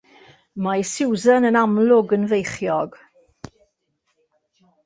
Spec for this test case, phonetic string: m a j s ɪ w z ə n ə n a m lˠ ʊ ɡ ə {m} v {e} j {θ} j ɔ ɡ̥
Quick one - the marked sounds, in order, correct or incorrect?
incorrect, correct, incorrect

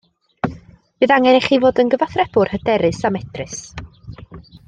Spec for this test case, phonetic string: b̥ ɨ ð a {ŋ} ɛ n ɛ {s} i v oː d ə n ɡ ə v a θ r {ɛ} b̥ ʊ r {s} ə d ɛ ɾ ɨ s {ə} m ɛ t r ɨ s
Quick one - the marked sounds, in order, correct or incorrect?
correct, incorrect, correct, incorrect, incorrect

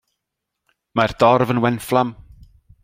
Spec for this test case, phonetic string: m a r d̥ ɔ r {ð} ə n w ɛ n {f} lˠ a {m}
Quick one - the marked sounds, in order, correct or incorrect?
incorrect, correct, correct

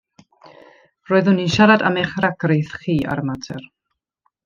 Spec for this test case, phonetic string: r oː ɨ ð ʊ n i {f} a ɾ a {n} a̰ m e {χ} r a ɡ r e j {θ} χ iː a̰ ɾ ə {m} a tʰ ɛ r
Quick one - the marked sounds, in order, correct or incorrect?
incorrect, incorrect, correct, correct, correct

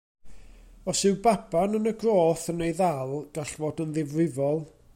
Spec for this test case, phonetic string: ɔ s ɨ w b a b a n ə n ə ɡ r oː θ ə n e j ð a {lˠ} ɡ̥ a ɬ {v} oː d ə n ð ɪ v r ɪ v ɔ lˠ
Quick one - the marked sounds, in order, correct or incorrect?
correct, correct

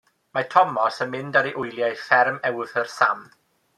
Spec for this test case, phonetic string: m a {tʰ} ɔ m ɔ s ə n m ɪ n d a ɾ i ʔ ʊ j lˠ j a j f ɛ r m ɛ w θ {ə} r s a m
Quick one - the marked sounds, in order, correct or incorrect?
correct, correct

